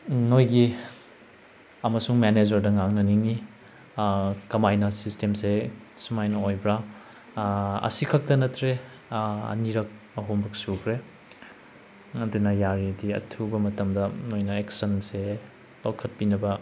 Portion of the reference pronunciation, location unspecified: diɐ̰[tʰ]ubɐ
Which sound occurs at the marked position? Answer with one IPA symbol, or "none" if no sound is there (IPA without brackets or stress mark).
tʰ